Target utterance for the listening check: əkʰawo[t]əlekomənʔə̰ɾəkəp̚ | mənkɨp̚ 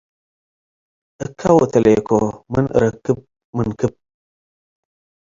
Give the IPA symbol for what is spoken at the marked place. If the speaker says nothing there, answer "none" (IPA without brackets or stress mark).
t